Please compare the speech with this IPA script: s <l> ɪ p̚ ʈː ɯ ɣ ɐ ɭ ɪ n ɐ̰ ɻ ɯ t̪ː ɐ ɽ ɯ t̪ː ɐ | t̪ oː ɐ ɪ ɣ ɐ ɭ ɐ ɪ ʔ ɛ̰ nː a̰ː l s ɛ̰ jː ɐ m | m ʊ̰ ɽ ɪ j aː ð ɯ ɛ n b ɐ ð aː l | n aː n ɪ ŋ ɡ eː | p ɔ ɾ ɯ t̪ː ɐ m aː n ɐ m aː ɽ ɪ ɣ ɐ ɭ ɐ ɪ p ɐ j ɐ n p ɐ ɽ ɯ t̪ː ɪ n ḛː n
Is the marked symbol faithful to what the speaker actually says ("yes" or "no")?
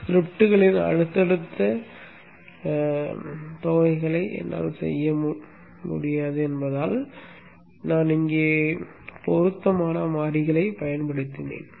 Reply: no